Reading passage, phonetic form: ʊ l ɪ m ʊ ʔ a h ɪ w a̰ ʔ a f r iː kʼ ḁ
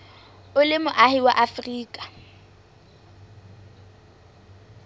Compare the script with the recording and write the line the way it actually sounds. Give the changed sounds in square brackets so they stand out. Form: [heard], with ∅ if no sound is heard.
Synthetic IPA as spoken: ʊ l ɪ m ʊ ʔ a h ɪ w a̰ ʔ a f r iː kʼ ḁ

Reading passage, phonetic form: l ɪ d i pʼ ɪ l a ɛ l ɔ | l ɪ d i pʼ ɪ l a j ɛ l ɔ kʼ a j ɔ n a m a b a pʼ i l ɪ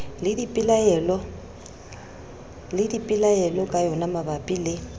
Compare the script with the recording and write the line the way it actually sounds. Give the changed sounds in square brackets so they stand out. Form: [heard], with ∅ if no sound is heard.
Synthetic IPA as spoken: l ɪ d i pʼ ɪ l a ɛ l ɔ | l ɪ d i pʼ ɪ l a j ɛ l ɔ kʼ a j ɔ n a m a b a pʼ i l ɪ

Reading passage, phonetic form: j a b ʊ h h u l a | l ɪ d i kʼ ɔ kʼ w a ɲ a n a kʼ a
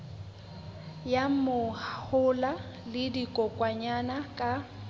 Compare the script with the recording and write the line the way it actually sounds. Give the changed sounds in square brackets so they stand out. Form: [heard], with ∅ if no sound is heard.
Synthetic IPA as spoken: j a [m] ʊ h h [ʊ] l a | l ɪ d i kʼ ɔ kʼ w a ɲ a n a kʼ a

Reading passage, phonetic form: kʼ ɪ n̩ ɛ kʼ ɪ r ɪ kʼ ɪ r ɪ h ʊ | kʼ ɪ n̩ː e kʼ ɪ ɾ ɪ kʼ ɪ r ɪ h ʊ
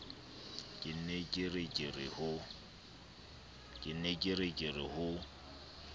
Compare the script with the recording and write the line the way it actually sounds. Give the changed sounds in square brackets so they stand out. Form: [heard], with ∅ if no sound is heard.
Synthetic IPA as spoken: kʼ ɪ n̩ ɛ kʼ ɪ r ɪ kʼ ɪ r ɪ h ʊ | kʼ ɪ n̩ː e kʼ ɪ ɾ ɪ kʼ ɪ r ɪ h ʊ

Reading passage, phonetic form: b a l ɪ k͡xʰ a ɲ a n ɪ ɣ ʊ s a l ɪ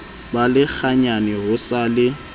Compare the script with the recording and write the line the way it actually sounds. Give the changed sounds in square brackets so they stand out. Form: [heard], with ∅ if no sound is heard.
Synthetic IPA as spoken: b a l ɪ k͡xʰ a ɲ a n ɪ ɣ ʊ s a l ɪ

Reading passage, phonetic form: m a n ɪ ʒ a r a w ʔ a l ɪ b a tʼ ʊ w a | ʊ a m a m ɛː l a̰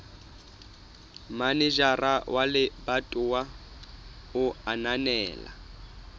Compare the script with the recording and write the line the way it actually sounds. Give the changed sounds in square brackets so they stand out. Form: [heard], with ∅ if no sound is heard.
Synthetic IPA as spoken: m a n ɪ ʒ a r a w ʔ a l ɪ b a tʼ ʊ w a | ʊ a [n] a [n] ɛː l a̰

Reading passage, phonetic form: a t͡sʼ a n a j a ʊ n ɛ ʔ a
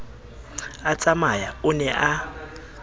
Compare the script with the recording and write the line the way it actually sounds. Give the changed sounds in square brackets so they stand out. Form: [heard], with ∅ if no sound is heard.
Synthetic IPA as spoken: a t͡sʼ a [m] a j a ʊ n ɛ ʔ a

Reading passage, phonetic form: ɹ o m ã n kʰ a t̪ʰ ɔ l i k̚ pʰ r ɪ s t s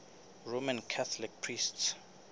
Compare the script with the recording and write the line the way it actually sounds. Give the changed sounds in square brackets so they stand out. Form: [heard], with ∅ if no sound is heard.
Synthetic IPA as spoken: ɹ o m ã n kʰ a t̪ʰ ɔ l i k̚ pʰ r [i] s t s

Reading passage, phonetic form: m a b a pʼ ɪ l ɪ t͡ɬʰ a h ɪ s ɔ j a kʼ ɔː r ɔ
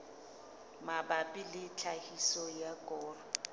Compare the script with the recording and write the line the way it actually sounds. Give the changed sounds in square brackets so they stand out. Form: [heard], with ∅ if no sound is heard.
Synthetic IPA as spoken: m a b a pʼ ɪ l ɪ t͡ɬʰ a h [i] s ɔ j a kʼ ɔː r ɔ

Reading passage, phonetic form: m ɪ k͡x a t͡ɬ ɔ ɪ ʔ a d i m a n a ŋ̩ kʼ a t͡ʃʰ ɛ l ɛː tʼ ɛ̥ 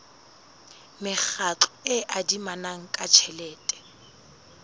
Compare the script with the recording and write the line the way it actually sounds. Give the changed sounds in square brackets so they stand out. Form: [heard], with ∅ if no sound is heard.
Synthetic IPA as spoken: m ɪ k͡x a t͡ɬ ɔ ɪ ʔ a d i m a n a ŋ̩ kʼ a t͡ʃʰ ɛ l ɛː tʼ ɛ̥

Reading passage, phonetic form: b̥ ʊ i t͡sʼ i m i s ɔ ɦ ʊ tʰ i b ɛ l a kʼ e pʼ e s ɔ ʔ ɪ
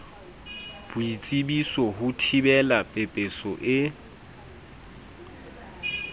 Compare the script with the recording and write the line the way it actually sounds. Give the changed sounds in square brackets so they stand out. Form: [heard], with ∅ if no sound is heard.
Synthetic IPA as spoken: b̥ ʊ i t͡sʼ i [b] i s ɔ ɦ ʊ tʰ i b ɛ l a [pʼ] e pʼ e s ɔ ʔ ɪ

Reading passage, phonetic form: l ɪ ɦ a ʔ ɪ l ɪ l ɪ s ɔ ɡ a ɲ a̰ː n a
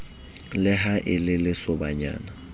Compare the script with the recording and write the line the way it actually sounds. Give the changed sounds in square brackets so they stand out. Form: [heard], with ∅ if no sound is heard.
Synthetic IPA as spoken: l ɪ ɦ a ʔ ɪ l ɪ l ɪ s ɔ [b] a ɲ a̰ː n a

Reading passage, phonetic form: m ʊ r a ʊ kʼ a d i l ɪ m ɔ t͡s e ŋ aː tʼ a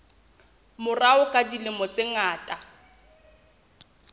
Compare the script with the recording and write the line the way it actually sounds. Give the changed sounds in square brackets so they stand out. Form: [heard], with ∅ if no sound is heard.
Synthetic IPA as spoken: m ʊ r a ʊ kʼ a d i l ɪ m ɔ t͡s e ŋ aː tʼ a

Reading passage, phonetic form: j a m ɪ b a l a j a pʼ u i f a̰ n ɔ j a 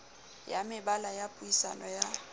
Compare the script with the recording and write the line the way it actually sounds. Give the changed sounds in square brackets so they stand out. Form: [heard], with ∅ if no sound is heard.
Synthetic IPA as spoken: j a m ɪ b a l a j a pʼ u i [s] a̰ n ɔ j a

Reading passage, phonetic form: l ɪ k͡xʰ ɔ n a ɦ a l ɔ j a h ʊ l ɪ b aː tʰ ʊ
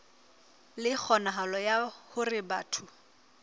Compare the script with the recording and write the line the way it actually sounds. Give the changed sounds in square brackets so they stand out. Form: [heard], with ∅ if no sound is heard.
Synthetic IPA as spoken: l ɪ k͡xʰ ɔ n a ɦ a l ɔ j a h ʊ [r] ɪ b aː tʰ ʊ

